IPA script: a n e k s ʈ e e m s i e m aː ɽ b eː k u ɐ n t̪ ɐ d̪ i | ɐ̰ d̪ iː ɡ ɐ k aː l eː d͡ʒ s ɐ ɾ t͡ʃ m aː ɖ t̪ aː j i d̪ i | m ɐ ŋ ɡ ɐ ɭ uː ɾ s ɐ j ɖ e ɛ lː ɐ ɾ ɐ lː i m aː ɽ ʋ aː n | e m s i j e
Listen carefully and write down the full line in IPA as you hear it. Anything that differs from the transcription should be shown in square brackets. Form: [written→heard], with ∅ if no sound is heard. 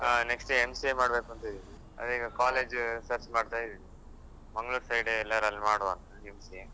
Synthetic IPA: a n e k s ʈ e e m s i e m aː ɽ b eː k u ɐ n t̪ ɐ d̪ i | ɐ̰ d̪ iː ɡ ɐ k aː l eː d͡ʒ s ɐ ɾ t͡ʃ m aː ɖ t̪ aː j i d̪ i | m ɐ ŋ ɡ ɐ ɭ uː ɾ s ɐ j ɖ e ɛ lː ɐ ɾ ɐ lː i m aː ɽ ʋ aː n | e m s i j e

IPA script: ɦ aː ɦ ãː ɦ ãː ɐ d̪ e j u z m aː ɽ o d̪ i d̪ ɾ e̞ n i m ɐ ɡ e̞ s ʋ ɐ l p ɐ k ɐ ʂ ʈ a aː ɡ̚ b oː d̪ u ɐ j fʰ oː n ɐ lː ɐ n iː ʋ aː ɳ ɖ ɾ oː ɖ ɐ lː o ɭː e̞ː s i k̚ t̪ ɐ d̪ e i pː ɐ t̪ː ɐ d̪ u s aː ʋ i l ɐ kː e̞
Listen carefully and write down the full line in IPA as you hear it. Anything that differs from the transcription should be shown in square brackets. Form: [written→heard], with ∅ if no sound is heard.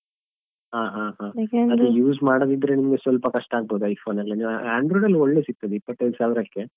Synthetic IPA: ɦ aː ɦ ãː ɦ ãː ɐ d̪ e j [u→uː] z m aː ɽ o d̪ i d̪ ɾ e̞ n i m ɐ ɡ e̞ s ʋ ɐ l p ɐ k ɐ ʂ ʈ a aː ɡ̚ b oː d̪ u ɐ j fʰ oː n ɐ lː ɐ n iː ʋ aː ɳ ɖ ɾ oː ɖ ɐ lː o ɭː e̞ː s i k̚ t̪ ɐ d̪ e i pː ɐ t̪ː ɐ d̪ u s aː ʋ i [l→ɾ] ɐ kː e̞

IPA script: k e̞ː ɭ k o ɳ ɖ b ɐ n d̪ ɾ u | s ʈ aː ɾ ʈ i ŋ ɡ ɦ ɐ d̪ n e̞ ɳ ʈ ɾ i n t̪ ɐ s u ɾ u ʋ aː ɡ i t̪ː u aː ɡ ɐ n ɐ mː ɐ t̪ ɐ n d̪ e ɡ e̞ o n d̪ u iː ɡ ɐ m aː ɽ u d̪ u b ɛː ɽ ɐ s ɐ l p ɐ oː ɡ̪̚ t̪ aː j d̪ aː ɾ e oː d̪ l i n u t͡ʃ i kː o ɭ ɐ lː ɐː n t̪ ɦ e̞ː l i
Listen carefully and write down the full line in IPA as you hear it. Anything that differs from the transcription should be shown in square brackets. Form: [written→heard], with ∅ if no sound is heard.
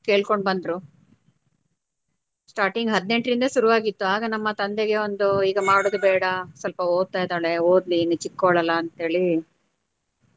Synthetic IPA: k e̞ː ɭ k o ɳ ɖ b ɐ n d̪ ɾ u | s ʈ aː ɾ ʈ i ŋ ɡ ɦ ɐ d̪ n e̞ ɳ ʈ ɾ i n [t̪→d̪] ɐ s u ɾ u ʋ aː ɡ i t̪ː u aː ɡ ɐ n ɐ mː ɐ t̪ ɐ n d̪ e ɡ e̞ o n d̪ u iː ɡ ɐ m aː ɽ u d̪ u b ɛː ɽ ɐ s ɐ l p ɐ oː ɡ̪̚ t̪ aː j d̪ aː [ɾ→ɭ] e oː d̪ l i n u t͡ʃ i kː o ɭ ɐ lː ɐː n t̪ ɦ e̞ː [l→ɭ] i

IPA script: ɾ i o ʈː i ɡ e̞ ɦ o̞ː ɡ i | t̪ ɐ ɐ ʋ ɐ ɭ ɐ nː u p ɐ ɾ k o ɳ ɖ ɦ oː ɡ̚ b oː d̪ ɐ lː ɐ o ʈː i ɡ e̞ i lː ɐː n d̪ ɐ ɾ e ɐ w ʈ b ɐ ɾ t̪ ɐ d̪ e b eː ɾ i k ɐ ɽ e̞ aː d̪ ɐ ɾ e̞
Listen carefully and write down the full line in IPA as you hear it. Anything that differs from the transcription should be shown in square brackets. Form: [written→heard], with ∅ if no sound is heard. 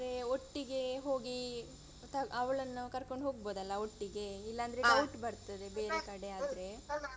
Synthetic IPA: ɾ [i→e] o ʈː i ɡ e̞ ɦ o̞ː ɡ i | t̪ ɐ ɐ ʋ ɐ ɭ ɐ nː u [p→k] ɐ ɾ k o ɳ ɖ ɦ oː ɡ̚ b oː d̪ ɐ lː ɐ o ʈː i ɡ e̞ i lː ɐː n d̪ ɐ ɾ e ɐ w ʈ b ɐ ɾ t̪ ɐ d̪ e b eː ɾ [i→e] k ɐ ɽ e̞ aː d̪ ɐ ɾ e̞

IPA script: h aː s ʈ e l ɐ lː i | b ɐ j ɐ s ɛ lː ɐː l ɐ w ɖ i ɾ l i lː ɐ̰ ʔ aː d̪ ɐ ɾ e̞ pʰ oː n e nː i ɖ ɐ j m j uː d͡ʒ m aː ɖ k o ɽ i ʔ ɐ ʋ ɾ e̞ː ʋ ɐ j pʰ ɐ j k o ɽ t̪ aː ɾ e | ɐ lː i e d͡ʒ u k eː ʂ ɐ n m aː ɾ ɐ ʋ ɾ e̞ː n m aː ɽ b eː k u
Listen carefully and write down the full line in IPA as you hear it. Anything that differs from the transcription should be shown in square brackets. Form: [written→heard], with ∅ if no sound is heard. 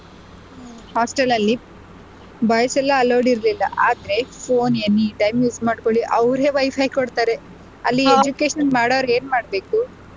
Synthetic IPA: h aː s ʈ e l ɐ lː i | b ɐ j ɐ s ɛ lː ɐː l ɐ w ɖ i ɾ l i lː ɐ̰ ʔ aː d̪ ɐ ɾ e̞ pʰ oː n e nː i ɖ ɐ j m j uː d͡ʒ m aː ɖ k o [ɽ→ɭ] i ʔ ɐ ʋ ɾ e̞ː ʋ ɐ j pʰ ɐ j k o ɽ t̪ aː ɾ e | ɐ lː i e d͡ʒ u k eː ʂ ɐ n m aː [ɾ→ɽ] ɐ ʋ ɾ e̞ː n m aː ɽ b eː k u

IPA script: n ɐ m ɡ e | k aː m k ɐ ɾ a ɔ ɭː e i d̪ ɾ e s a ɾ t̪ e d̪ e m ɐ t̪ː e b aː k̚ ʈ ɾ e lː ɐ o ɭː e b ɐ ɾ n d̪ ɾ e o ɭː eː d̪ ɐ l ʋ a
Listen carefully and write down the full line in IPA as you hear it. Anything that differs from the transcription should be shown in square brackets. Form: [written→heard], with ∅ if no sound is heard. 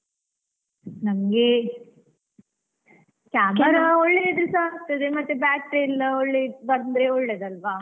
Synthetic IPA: n ɐ m ɡ e | k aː m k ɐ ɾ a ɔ ɭː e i d̪ ɾ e s a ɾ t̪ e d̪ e m ɐ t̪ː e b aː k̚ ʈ ɾ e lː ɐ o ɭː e b ɐ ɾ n d̪ ɾ e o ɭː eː d̪ ɐ l ʋ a

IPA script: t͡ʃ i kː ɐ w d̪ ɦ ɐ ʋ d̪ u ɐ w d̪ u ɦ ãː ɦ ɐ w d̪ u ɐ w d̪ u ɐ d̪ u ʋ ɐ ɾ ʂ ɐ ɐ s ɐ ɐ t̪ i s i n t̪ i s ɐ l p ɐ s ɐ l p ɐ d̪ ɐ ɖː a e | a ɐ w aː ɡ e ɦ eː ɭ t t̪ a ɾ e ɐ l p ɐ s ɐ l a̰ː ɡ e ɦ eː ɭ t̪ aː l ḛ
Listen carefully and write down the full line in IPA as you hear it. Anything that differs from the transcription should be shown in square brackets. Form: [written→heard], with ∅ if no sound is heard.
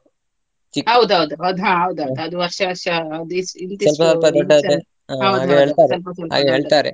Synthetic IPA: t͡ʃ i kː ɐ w d̪ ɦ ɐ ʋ d̪ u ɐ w d̪ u ɦ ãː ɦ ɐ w d̪ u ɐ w d̪ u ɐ d̪ u ʋ ɐ ɾ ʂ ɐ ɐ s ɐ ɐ [t̪→d̪] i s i n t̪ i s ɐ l p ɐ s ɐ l p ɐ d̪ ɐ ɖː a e | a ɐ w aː ɡ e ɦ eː ɭ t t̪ a ɾ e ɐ l p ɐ s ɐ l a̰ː ɡ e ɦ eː ɭ t̪ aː [l→ɾ] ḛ

